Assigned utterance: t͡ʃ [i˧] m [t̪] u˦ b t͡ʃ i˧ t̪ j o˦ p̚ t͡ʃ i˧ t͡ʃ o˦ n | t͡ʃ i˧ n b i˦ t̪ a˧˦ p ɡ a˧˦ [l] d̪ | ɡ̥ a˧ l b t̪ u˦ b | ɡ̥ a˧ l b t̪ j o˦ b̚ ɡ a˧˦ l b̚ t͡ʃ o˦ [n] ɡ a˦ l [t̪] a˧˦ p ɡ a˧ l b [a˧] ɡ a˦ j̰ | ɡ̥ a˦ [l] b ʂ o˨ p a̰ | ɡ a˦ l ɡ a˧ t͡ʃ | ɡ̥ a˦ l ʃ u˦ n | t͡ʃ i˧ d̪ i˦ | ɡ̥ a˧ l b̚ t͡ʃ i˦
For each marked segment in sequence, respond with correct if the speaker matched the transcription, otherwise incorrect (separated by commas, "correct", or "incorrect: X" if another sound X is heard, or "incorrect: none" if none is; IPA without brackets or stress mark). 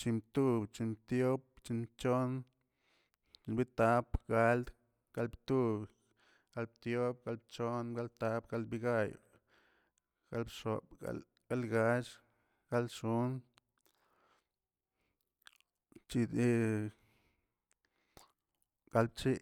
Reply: correct, correct, correct, correct, correct, incorrect: i˧, correct